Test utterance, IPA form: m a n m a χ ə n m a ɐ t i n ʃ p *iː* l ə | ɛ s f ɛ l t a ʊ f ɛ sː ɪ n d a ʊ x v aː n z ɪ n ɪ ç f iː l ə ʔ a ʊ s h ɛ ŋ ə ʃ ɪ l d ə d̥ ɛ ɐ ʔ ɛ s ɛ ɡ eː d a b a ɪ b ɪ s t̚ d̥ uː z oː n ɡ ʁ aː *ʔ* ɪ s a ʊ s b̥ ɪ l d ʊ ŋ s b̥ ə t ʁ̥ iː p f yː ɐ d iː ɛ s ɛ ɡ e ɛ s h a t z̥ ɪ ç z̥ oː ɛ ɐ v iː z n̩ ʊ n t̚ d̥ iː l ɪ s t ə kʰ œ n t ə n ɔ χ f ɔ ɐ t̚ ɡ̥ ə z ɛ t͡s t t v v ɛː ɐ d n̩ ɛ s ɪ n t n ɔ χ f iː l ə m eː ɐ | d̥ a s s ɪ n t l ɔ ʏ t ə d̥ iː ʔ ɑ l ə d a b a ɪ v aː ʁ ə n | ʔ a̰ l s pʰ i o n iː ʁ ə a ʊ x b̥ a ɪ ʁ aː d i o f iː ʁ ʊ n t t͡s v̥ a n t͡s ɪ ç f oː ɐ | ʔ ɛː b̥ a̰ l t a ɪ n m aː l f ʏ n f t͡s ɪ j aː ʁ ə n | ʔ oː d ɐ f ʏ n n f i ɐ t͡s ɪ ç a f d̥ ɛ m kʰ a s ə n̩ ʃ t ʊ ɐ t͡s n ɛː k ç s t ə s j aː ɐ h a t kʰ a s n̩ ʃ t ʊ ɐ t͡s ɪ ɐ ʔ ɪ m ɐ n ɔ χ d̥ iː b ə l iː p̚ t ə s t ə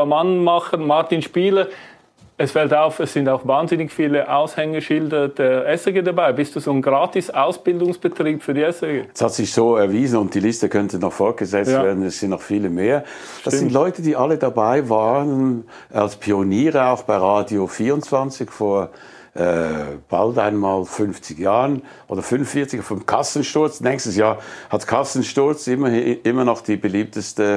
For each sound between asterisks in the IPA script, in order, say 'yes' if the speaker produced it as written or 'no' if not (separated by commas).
yes, no